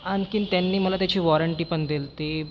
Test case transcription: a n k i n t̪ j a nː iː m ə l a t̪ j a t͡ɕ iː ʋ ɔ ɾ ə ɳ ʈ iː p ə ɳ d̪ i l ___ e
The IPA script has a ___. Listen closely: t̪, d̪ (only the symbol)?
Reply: t̪